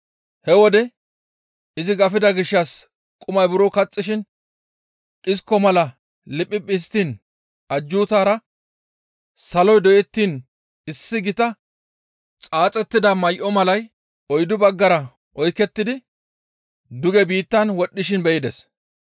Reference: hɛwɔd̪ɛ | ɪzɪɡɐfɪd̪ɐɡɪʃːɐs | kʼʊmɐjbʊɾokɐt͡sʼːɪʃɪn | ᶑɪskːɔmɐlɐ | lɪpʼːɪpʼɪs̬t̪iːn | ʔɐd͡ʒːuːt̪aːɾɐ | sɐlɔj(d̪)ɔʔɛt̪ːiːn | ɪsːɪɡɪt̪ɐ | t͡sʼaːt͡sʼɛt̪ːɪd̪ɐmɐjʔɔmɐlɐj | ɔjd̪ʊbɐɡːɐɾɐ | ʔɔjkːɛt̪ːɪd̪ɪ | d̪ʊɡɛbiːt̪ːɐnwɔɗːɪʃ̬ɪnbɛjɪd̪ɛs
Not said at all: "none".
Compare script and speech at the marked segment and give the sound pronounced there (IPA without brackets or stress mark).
d̪